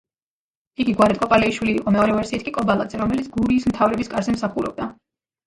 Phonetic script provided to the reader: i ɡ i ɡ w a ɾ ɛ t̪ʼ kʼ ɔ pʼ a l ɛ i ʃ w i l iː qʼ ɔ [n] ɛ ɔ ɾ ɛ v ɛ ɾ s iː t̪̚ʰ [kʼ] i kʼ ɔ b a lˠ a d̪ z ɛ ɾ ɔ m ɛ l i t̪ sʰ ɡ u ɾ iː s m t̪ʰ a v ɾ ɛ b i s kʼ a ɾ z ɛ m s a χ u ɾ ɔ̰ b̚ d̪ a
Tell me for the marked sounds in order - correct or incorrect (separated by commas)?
incorrect, correct